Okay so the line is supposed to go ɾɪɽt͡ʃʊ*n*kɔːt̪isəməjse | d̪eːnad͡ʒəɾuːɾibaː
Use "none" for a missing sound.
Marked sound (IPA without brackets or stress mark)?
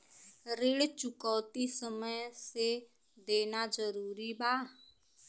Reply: none